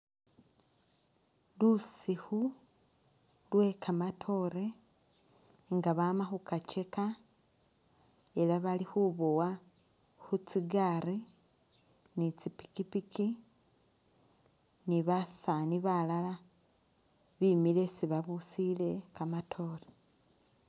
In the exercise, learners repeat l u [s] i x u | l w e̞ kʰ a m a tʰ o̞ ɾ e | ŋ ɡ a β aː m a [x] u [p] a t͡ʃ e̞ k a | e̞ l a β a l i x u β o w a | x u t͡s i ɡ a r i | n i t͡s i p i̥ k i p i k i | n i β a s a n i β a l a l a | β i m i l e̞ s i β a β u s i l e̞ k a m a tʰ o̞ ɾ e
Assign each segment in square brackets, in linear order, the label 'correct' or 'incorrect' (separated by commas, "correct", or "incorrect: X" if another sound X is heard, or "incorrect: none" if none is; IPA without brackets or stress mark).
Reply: correct, correct, incorrect: k